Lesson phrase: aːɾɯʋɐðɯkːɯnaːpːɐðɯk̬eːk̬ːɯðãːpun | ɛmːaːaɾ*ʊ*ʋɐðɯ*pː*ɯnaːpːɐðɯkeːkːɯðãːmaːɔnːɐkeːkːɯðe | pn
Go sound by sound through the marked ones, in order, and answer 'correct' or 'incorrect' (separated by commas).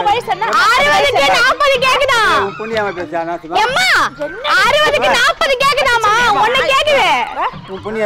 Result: incorrect, incorrect